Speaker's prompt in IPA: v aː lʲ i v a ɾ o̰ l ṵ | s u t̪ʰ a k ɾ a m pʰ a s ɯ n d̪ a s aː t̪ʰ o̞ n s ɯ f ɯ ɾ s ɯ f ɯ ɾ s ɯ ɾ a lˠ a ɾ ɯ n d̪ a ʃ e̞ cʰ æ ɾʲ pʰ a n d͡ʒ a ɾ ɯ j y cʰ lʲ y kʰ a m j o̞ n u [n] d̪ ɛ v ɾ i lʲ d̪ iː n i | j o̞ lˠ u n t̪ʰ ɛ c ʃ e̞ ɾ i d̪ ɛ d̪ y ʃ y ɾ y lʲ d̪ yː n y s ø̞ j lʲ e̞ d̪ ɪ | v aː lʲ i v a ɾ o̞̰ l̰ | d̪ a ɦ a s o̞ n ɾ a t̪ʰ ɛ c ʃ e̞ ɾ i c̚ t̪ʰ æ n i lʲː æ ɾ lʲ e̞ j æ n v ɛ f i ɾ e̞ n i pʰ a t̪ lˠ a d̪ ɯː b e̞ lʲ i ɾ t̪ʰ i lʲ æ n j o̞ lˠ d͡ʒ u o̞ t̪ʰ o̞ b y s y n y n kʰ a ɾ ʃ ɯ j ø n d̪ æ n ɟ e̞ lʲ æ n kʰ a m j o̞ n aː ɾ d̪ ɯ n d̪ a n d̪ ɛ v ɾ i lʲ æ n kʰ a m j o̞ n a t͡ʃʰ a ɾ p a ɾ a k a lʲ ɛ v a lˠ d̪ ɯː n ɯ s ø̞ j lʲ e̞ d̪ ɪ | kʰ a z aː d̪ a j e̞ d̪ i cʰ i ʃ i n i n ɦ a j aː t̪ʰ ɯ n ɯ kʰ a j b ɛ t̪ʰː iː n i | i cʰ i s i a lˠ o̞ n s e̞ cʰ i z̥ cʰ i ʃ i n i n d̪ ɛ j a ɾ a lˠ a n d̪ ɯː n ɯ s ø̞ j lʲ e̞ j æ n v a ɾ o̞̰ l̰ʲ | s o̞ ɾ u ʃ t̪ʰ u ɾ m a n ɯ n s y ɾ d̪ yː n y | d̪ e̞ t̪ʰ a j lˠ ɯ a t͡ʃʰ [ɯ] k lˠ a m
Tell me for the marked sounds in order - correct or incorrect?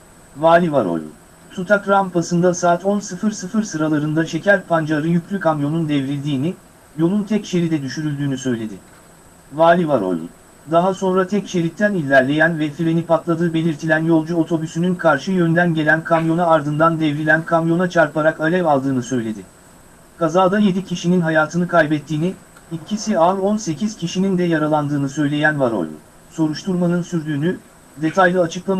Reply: correct, correct

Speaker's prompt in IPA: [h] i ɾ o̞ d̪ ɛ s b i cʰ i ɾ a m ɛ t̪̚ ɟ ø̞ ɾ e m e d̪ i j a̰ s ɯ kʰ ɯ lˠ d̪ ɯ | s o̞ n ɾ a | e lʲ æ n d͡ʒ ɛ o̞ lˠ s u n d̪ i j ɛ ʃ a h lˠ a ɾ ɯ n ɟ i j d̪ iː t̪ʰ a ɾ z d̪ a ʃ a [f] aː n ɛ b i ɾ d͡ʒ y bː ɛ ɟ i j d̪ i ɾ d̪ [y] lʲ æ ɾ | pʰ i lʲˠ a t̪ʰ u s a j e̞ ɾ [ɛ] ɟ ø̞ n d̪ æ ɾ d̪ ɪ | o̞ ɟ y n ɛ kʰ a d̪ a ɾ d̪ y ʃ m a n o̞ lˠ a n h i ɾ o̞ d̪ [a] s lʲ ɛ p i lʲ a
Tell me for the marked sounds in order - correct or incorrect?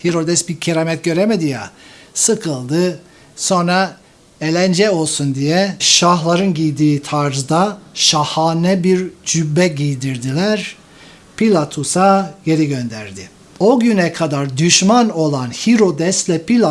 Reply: correct, incorrect, incorrect, incorrect, incorrect

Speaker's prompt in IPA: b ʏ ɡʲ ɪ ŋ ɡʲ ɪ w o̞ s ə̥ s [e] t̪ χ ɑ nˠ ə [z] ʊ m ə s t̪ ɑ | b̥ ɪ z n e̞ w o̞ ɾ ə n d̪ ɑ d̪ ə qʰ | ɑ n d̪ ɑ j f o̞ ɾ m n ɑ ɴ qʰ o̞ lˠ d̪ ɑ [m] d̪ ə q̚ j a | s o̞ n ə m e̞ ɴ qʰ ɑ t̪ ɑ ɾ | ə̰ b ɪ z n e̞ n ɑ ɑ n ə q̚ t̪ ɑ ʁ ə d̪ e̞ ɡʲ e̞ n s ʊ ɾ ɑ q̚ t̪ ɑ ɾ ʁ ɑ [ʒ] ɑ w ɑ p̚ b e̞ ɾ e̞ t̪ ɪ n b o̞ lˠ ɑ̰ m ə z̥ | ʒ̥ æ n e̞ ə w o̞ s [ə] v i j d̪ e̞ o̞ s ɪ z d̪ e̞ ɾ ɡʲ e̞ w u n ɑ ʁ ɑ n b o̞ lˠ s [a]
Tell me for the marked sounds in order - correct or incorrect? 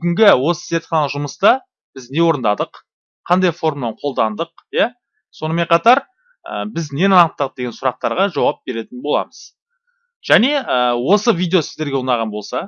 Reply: correct, incorrect, incorrect, correct, correct, incorrect

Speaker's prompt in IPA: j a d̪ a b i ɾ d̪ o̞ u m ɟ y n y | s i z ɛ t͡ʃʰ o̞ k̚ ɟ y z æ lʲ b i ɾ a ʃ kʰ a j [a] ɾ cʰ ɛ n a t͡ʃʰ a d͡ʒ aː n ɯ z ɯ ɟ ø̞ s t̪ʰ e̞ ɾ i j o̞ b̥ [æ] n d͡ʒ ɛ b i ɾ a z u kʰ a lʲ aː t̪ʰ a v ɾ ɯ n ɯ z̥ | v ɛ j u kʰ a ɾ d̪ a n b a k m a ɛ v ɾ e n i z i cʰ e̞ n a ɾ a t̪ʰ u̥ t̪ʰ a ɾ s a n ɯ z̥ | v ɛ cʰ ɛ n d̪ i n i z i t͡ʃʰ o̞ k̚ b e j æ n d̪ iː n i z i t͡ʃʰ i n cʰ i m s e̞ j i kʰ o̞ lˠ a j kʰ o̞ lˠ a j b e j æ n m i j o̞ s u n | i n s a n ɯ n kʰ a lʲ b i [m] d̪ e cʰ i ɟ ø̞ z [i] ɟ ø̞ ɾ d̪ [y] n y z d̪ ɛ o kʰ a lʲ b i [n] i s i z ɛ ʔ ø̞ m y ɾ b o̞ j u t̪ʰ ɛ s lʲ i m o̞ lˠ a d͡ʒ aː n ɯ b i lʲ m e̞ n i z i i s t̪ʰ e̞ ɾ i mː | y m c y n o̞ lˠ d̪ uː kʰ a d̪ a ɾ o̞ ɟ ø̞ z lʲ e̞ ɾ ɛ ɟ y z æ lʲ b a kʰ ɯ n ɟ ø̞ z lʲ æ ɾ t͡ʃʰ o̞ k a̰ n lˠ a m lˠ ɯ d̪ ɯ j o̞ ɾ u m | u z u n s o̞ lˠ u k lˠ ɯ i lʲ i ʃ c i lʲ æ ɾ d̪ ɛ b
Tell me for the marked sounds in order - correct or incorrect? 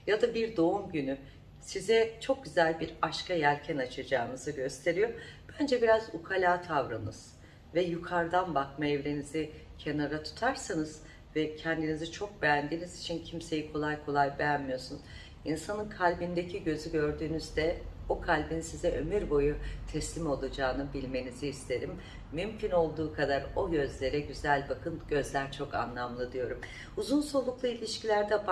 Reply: incorrect, correct, incorrect, incorrect, incorrect, correct

